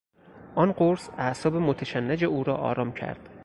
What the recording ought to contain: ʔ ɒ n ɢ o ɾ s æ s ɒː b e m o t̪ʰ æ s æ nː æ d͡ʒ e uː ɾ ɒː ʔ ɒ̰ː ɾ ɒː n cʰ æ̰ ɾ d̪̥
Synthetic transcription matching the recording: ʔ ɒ n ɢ o ɾ s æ s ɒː b e m o t̪ʰ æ ʃ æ nː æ d͡ʒ e uː ɾ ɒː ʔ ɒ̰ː ɾ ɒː m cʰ æ̰ ɾ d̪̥